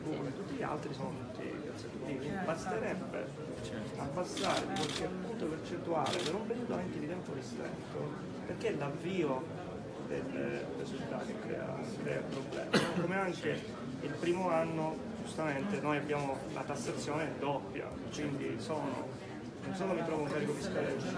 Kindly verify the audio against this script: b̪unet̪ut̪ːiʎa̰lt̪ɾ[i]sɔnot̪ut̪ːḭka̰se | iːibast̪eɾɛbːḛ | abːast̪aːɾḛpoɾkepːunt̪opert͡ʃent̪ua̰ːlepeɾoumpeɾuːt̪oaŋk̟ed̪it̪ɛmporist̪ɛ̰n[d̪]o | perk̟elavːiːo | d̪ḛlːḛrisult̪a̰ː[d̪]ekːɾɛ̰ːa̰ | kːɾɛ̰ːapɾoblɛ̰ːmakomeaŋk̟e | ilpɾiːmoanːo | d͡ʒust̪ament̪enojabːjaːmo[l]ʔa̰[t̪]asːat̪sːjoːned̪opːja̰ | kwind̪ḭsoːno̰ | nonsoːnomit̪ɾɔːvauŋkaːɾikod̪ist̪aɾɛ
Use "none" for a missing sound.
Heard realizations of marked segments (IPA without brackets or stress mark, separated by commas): i, t̪, t̪, l, t̪